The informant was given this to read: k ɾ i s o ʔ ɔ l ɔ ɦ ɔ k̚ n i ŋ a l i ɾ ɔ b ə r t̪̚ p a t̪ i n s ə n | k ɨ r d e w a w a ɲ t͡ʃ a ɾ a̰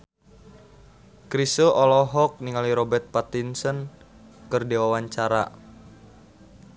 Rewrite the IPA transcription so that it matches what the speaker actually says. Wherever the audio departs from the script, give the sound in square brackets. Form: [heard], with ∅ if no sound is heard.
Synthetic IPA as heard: k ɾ i s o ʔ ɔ l ɔ ɦ ɔ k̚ n i ŋ a l i ɾ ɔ b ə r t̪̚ p a t̪ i n s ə n | k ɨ r d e w a w a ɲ t͡ʃ a ɾ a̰